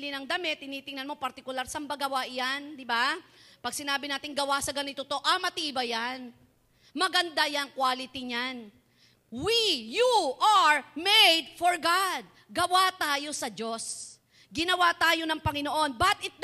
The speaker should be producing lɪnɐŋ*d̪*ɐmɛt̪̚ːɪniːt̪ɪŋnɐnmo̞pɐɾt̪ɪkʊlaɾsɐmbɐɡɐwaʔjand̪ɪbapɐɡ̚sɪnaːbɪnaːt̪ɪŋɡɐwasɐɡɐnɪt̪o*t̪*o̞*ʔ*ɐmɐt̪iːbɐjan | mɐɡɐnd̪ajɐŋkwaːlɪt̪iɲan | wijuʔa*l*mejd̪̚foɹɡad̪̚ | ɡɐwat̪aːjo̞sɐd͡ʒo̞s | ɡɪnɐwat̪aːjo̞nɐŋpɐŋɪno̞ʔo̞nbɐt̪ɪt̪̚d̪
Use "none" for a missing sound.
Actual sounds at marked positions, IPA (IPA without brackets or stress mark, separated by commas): d̪, t̪, ʔ, ɹ